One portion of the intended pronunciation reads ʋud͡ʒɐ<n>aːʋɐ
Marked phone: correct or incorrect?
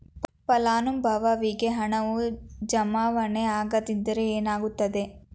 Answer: incorrect: m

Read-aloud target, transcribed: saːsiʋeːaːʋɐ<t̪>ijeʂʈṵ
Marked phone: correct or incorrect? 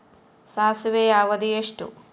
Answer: incorrect: d̪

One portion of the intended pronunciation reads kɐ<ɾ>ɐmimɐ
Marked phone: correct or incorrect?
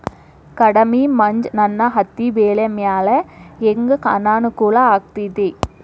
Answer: incorrect: ɽ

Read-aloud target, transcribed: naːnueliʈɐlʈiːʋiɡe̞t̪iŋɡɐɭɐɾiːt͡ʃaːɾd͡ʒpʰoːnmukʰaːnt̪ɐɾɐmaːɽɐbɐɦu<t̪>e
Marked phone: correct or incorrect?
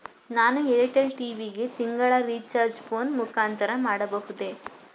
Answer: incorrect: d̪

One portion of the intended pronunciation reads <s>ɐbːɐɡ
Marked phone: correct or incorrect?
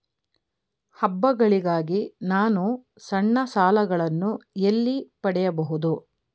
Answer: incorrect: h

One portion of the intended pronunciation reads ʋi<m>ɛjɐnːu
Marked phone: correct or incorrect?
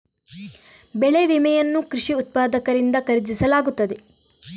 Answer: correct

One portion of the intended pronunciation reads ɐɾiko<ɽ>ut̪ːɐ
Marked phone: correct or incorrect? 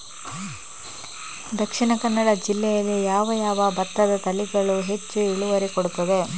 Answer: correct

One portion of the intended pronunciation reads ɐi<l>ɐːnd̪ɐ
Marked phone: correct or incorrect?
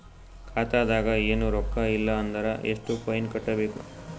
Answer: incorrect: lː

